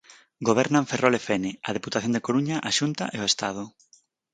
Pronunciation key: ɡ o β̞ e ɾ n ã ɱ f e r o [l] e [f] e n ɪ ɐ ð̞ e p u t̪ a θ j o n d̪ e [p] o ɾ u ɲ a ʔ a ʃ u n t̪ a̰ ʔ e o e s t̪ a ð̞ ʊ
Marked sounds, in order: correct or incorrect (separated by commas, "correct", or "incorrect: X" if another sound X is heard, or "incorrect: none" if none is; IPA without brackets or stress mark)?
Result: correct, correct, incorrect: k